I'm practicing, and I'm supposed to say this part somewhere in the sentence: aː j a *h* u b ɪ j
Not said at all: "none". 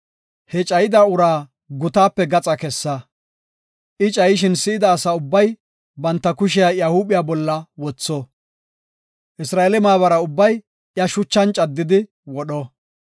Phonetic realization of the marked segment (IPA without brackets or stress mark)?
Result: h